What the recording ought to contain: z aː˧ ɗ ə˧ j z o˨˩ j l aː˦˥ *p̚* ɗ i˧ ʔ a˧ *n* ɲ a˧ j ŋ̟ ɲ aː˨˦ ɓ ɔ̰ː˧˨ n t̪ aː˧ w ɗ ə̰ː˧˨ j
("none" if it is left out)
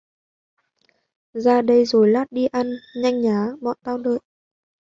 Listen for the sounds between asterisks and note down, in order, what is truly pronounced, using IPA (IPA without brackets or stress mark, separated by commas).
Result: t̚, n